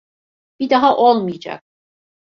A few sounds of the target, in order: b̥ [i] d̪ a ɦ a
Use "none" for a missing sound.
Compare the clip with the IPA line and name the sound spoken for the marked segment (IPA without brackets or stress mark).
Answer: i